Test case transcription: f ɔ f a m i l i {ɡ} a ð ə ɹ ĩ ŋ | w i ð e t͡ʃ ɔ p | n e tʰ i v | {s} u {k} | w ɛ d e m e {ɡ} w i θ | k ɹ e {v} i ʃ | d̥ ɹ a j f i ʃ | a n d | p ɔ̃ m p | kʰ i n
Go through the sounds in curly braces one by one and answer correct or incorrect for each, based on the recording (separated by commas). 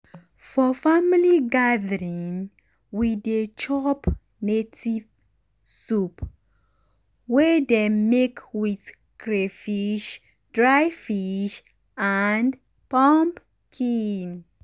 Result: correct, correct, incorrect, incorrect, incorrect